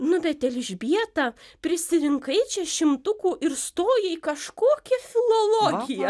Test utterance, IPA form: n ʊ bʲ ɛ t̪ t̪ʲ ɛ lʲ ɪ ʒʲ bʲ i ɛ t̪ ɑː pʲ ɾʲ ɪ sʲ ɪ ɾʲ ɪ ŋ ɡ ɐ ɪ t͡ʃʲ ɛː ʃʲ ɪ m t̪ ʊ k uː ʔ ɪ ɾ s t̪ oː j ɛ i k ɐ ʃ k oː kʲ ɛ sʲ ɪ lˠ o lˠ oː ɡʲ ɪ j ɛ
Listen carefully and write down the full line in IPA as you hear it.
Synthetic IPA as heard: n ʊ bʲ ɛ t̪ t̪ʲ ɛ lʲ ɪ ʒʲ bʲ i ɛ t̪ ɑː pʲ ɾʲ ɪ sʲ ɪ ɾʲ ɪ ŋ k ɐ ɪ t͡ʃʲ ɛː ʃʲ ɪ m t̪ ʊ k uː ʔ ɪ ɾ s t̪ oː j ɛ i k ɐ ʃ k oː kʲ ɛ fʲ ɪ lˠ o lˠ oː ɡʲ ɪ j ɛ